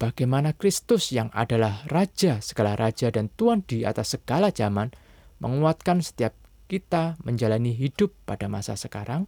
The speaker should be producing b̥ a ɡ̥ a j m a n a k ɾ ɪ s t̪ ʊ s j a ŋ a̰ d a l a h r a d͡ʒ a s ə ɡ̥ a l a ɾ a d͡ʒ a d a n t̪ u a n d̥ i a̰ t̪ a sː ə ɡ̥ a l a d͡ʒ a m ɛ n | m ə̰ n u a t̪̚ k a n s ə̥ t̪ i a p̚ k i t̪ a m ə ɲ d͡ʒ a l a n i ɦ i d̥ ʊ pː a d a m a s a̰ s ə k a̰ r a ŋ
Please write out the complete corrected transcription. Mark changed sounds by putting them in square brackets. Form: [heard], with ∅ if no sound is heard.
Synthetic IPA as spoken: b̥ a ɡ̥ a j m a n a k ɾ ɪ s t̪ ʊ s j a ŋ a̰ d a l a h r a d͡ʒ a s ə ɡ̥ a l a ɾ a d͡ʒ a d a n t̪ u a n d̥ i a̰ t̪ a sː ə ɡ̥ a l a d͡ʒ a m [a] n | m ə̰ [ŋ] u a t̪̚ k a n s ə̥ t̪ i a p̚ k i t̪ a m ə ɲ d͡ʒ a l a n i ɦ i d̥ ʊ pː a d a m a s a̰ s ə k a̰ [ɾ] a ŋ